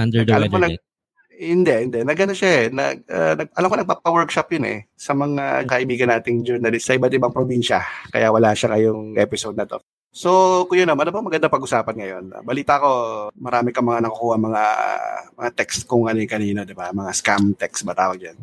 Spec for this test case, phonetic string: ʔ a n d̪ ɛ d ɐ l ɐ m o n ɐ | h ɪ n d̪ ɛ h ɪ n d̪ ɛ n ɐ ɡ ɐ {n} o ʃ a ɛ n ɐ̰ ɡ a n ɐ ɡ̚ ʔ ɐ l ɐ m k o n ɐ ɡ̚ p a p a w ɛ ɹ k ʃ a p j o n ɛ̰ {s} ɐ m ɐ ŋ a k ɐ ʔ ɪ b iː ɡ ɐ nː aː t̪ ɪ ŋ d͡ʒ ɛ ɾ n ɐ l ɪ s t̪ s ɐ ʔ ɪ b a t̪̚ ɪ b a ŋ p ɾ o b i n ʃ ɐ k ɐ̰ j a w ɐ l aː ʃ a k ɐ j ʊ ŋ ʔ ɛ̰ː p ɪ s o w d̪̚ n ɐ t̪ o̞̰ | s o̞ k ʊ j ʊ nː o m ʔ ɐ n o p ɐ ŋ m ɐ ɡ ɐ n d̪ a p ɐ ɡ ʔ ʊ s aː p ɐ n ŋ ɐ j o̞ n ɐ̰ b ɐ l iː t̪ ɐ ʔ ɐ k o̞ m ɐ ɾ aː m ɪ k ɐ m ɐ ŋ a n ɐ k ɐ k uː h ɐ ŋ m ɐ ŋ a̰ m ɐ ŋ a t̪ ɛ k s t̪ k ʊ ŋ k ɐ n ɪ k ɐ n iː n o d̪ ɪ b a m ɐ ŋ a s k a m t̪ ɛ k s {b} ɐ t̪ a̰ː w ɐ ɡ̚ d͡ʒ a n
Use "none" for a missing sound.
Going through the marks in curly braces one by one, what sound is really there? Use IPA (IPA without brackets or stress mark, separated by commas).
n, s, b